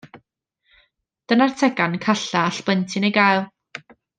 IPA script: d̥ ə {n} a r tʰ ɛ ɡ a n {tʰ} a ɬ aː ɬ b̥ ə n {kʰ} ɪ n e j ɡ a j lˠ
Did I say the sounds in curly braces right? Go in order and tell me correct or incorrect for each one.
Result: correct, incorrect, incorrect

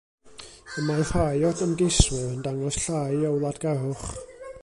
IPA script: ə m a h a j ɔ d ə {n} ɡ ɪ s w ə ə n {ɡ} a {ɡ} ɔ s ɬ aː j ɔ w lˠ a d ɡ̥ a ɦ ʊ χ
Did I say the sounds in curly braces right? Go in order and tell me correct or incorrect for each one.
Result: incorrect, incorrect, incorrect

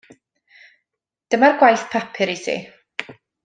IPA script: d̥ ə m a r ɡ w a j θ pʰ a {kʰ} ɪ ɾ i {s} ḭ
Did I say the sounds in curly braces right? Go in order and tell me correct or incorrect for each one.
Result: incorrect, correct

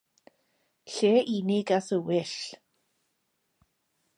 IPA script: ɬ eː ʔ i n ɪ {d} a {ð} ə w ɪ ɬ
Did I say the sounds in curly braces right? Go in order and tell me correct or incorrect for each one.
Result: incorrect, incorrect

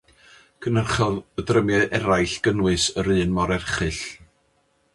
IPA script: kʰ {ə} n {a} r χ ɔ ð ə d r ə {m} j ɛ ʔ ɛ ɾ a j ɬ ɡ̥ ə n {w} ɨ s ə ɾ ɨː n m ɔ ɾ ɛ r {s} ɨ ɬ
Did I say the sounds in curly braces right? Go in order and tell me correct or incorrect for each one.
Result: correct, incorrect, correct, correct, incorrect

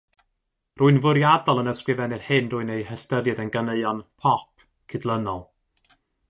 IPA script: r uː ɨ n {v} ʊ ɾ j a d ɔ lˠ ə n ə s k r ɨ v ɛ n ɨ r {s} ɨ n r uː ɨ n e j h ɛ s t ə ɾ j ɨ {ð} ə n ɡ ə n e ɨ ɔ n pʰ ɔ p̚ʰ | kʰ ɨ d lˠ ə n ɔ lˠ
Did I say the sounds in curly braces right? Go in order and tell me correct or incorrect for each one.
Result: correct, incorrect, correct

